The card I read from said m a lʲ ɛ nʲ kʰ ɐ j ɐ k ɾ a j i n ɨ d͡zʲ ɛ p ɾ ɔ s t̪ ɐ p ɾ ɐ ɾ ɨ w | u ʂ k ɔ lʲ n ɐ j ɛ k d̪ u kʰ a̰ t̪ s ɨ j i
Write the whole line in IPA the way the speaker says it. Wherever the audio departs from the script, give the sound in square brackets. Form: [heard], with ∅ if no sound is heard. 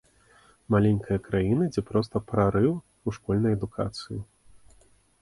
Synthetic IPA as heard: m a lʲ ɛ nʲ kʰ ɐ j ɐ k ɾ a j i n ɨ d͡zʲ ɛ p ɾ ɔ s t̪ ɐ p ɾ [a] ɾ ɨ w | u ʂ k ɔ lʲ n ɐ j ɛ [∅] d̪ u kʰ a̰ t̪ s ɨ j i